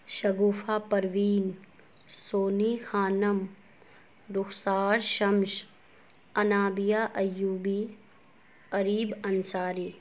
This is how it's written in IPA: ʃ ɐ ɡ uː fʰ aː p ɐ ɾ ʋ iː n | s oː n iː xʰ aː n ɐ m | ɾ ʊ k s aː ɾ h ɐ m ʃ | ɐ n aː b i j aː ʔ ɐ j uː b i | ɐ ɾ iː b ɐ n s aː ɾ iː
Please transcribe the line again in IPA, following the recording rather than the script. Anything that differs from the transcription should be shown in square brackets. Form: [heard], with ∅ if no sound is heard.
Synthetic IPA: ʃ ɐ ɡ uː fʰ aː p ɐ ɾ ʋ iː n | s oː n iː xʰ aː n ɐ m | ɾ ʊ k s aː ɾ [ʃ] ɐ m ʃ | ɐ n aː b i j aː ʔ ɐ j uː b i | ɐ ɾ iː b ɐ n s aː ɾ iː